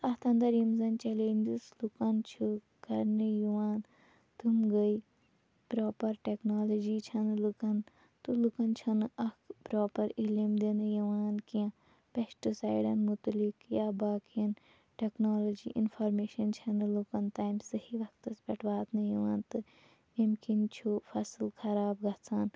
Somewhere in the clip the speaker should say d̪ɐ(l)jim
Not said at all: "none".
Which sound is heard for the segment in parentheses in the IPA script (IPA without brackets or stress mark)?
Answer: ɾ